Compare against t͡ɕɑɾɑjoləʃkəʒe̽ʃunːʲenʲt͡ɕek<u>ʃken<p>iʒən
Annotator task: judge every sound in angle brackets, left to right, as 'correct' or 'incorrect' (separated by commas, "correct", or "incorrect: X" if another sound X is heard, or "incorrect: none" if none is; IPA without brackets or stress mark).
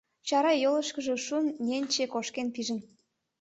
incorrect: o, correct